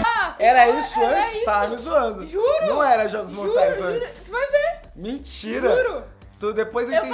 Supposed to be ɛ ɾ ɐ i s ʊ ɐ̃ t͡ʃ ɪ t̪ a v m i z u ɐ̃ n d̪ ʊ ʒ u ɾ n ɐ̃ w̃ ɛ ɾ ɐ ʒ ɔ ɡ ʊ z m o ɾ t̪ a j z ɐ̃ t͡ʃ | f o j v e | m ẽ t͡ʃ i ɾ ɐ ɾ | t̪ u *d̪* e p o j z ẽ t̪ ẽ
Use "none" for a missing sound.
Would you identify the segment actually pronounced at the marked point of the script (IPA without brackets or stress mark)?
d̪